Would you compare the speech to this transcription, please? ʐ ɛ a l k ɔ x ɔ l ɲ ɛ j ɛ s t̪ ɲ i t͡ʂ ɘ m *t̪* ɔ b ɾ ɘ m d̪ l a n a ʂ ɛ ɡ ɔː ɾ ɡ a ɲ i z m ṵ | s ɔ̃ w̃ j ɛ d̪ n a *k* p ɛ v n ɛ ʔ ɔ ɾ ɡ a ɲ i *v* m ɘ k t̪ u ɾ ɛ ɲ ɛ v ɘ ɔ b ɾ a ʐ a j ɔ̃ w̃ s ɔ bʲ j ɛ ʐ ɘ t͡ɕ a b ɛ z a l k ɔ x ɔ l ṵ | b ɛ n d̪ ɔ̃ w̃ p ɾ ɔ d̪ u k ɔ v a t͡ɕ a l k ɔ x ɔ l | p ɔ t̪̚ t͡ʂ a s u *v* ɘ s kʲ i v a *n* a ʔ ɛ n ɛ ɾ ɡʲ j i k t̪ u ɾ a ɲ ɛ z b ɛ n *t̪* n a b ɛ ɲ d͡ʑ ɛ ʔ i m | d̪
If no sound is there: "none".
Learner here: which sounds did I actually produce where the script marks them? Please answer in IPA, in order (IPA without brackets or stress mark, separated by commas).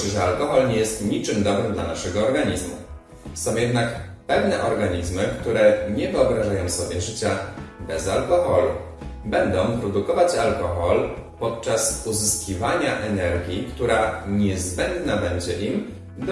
d̪, k, z, z, ɲ, d̪